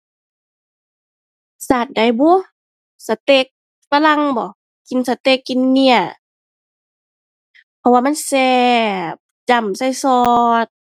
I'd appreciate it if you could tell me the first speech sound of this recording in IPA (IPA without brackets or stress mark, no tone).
s